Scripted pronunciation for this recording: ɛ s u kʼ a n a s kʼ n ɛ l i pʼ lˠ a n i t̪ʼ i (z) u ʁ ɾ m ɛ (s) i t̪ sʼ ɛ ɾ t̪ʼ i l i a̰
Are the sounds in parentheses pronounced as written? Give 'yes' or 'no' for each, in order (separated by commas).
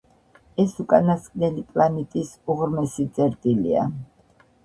no, yes